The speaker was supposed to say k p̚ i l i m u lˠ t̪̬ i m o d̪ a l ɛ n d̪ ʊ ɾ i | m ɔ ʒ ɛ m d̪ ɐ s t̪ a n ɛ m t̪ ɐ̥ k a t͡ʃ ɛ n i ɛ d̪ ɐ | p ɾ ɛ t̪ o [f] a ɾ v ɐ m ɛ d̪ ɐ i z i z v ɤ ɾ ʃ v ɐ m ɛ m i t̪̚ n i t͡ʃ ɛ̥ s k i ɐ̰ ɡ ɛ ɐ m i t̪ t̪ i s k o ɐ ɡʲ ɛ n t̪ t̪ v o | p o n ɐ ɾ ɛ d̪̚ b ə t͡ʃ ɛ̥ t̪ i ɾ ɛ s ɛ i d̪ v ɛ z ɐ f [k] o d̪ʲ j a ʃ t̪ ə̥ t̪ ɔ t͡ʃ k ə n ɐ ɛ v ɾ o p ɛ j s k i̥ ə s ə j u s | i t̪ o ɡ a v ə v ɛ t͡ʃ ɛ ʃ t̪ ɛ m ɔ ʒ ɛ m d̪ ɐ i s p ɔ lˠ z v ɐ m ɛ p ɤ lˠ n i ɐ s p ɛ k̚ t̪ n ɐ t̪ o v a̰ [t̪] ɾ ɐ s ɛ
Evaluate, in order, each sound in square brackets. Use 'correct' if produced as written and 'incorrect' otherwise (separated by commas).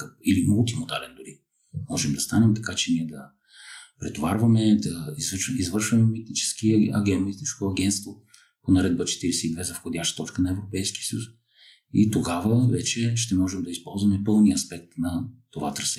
incorrect, incorrect, correct